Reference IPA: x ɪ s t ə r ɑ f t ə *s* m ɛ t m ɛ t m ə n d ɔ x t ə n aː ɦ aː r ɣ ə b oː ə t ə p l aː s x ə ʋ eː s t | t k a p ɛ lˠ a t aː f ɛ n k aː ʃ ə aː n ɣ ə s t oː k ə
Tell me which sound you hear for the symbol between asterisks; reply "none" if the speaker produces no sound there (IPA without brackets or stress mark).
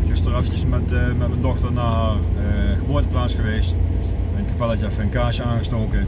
s